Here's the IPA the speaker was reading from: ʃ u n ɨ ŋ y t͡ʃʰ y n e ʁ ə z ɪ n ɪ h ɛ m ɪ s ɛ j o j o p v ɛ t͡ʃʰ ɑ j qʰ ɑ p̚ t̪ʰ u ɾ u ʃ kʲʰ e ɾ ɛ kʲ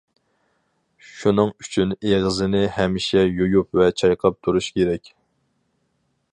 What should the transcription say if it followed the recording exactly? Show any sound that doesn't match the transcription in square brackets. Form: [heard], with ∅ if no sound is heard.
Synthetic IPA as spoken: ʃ u n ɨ ŋ y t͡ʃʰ y n e ʁ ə z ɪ n ɪ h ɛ m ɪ [ʃ] ɛ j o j [u] p v ɛ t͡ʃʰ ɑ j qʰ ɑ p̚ t̪ʰ u ɾ u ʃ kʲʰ e ɾ ɛ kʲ